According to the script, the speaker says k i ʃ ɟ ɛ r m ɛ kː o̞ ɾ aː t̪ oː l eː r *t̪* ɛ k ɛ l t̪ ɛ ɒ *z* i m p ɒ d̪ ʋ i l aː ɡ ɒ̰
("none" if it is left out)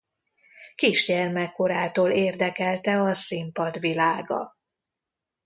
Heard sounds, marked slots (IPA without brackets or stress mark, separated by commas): d̪, s